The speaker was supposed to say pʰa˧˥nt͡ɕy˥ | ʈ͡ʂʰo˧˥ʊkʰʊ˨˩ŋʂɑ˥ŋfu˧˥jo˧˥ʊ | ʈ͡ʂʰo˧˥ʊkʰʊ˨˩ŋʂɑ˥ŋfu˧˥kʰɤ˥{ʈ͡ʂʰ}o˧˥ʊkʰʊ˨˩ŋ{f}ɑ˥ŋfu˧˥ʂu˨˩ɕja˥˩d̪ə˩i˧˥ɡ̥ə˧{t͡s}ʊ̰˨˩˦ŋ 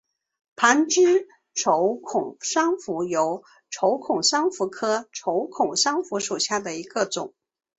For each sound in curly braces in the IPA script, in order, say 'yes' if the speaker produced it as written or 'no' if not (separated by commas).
yes, no, yes